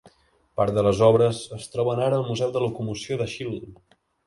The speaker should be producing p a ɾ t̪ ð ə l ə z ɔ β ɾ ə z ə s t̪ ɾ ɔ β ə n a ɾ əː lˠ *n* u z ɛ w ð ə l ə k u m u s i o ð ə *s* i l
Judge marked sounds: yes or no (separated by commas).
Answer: no, no